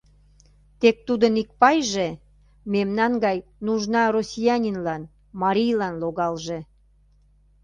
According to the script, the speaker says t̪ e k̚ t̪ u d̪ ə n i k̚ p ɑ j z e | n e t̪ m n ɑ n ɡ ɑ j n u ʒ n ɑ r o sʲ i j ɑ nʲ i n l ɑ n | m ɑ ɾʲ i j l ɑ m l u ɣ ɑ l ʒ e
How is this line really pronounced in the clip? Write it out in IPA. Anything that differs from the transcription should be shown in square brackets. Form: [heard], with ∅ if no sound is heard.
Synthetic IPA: t̪ e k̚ t̪ u d̪ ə n i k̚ p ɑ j [ʒ] e | [m] e [∅] m n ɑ n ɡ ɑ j n u ʒ n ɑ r o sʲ i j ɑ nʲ i n l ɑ n | m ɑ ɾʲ i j l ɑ [n] l [o] ɣ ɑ l ʒ e